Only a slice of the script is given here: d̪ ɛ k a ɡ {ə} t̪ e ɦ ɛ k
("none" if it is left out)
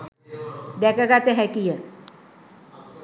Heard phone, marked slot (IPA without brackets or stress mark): a